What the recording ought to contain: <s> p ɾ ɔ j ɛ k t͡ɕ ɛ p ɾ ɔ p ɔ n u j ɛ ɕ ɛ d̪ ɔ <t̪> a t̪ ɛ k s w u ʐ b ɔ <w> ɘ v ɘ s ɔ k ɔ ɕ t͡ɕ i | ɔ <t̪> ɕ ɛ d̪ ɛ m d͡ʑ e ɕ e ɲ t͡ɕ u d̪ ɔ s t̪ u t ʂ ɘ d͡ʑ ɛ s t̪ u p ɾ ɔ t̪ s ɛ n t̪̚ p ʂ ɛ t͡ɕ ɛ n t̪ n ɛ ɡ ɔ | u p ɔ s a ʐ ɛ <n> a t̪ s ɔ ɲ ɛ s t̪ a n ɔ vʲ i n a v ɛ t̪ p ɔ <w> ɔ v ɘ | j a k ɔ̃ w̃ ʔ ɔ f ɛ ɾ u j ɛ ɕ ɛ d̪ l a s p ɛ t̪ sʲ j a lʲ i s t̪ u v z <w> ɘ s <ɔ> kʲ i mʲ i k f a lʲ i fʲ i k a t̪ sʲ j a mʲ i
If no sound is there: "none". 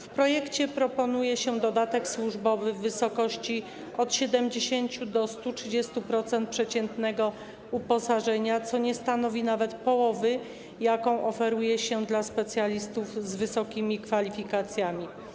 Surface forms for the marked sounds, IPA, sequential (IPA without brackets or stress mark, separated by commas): f, d̪, v, t̪, ɲ, w, v, ɔ